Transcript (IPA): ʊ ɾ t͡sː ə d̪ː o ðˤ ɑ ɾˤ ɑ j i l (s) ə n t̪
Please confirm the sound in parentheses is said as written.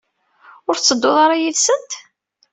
yes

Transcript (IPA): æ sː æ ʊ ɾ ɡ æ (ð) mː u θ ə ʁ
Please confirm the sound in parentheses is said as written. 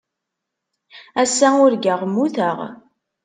no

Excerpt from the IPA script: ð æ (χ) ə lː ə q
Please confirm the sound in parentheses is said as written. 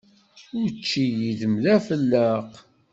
no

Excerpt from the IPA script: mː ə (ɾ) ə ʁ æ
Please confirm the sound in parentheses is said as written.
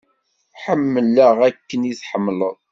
no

